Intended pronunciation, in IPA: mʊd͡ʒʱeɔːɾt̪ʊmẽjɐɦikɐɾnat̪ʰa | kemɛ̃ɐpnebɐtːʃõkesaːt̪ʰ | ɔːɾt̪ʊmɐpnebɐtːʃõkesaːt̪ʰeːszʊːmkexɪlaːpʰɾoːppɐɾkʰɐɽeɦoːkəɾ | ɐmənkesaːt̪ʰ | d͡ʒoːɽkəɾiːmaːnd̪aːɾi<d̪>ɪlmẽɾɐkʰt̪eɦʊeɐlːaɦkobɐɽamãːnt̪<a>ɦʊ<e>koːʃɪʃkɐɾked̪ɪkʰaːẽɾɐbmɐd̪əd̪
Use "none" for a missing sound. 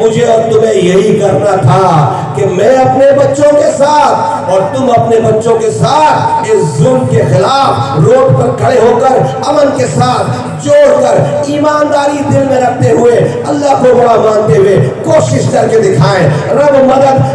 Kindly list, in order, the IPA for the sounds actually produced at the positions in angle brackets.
d̪, e, e

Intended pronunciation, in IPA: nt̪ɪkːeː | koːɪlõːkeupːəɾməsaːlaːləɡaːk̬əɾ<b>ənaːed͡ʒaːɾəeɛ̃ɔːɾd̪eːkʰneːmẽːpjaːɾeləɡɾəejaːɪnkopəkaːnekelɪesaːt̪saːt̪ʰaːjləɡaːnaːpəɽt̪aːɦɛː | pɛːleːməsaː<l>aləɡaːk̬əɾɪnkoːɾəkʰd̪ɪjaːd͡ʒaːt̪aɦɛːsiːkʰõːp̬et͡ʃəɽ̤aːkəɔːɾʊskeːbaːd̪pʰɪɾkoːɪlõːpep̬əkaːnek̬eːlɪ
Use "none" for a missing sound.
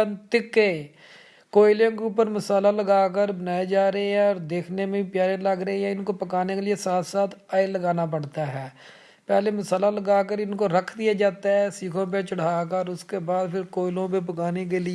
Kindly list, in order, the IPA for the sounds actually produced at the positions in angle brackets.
b, l

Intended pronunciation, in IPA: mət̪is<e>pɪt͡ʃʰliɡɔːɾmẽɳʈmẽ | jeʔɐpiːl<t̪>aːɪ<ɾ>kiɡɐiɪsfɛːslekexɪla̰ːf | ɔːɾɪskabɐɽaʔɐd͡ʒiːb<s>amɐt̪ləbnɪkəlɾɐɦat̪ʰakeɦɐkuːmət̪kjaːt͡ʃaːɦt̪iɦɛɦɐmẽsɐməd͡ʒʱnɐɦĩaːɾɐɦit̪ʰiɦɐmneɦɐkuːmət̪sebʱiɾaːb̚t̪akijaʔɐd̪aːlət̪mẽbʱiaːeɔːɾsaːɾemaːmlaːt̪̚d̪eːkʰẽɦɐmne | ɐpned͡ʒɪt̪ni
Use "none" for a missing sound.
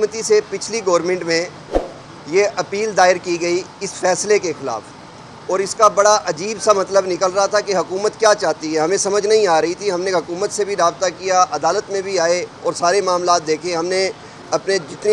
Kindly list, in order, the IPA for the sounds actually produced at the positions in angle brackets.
e, d̪, ɾ, s

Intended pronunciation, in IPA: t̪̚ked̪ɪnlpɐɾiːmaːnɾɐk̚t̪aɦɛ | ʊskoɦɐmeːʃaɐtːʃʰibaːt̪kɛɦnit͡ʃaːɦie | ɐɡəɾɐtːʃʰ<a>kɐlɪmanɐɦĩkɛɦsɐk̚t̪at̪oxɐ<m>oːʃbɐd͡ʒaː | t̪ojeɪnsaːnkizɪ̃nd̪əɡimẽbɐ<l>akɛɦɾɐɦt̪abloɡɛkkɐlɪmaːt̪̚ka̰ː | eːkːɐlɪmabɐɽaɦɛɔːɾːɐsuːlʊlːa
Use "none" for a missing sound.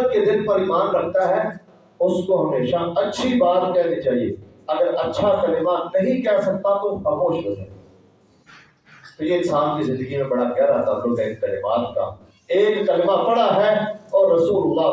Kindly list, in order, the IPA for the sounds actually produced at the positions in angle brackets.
a, m, ɽ

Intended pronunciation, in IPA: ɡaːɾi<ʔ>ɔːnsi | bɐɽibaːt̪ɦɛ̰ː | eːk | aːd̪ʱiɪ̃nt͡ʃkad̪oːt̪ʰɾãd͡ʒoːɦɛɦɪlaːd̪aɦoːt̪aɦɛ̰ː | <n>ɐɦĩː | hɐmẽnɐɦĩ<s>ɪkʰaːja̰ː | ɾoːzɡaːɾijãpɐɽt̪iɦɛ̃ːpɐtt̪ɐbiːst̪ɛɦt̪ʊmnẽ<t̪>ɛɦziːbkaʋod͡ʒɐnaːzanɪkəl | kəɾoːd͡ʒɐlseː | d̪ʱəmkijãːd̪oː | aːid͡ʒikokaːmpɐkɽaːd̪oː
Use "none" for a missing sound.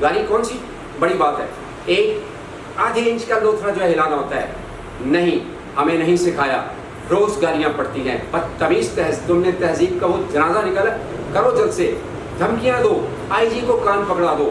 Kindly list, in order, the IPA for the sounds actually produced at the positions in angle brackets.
k, n, s, t̪

